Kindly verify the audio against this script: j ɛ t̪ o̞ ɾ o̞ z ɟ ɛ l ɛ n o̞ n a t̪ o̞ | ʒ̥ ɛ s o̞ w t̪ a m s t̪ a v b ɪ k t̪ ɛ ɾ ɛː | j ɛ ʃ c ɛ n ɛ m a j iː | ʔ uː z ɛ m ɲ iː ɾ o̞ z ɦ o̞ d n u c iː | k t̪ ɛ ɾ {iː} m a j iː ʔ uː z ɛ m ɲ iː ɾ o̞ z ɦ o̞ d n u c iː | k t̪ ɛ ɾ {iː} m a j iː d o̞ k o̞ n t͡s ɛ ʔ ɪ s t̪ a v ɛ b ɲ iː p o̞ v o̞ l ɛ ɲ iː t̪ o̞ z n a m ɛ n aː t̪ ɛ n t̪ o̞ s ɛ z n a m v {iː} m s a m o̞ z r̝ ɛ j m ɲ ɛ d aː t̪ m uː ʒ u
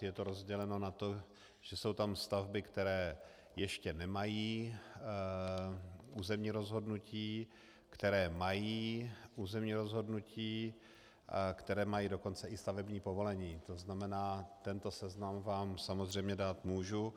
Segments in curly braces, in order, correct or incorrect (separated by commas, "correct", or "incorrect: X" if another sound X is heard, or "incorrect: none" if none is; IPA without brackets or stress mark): incorrect: ɛː, incorrect: ɛː, incorrect: aː